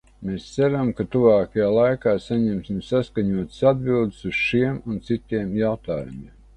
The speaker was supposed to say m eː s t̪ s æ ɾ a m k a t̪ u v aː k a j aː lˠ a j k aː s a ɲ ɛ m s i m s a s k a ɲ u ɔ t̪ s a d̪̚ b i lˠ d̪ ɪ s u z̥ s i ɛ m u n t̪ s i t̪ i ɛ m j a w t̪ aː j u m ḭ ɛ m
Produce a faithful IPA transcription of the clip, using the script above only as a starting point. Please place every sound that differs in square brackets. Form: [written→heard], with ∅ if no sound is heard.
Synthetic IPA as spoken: m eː s t̪ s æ ɾ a m k a t̪ u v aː k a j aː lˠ a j k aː s a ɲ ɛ m s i m s a s k a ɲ u ɔ t̪ s a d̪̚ b i lˠ d̪ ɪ s u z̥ [s→ʃ] i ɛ m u n t̪ s i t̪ i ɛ m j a w t̪ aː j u m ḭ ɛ m